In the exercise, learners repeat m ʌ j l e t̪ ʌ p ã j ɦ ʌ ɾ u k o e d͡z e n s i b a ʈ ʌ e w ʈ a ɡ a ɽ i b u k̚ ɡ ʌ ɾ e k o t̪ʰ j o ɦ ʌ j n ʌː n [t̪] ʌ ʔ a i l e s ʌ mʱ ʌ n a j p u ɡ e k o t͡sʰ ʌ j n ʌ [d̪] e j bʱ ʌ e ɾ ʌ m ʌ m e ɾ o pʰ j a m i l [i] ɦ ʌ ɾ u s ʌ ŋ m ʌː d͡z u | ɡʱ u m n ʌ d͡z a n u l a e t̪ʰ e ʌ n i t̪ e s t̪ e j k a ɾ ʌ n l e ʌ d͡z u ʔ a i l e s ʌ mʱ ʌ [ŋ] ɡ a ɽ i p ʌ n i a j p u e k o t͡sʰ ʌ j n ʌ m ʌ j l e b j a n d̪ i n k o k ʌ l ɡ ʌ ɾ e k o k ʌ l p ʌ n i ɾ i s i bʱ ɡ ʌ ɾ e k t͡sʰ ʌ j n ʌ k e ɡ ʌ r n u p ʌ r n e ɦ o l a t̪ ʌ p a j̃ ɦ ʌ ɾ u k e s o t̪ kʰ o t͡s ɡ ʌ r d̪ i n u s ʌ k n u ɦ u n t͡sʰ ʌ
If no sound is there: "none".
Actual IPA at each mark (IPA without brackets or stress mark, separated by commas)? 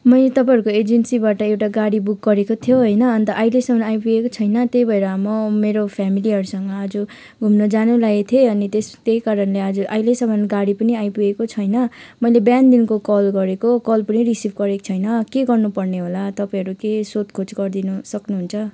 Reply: t̪, t̪, i, n